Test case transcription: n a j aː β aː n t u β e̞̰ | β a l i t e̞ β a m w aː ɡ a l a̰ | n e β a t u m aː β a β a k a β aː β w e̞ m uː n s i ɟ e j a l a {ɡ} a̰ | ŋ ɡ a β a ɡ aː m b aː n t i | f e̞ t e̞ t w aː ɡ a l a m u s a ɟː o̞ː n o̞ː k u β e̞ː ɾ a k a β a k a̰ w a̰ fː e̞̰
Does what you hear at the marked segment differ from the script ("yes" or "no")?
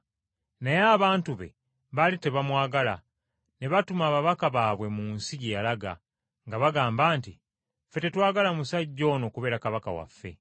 no